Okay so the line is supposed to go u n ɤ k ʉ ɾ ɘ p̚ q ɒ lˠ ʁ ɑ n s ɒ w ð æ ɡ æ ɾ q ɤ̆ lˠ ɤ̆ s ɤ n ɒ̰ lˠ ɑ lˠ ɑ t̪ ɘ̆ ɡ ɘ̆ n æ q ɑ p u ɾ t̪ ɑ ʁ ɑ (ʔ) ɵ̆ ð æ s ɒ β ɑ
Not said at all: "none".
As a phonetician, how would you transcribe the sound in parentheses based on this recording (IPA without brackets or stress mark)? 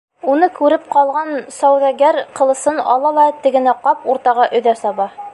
ʔ